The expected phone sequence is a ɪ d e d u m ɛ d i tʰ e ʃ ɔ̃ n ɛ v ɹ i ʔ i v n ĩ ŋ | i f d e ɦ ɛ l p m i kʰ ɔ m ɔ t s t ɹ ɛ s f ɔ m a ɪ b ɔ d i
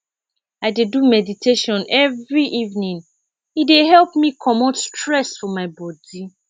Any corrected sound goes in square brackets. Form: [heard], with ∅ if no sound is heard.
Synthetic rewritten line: a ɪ d e d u m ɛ d i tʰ e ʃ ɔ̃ n ɛ v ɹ i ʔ i v n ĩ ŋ | i [∅] d e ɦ ɛ l p m i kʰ ɔ m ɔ t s t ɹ ɛ s f ɔ m a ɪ b ɔ d i